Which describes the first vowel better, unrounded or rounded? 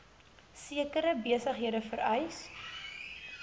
unrounded